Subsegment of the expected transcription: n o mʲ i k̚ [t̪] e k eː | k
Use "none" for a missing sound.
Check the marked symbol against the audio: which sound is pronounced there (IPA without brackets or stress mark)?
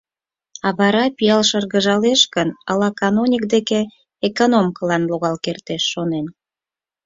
d̪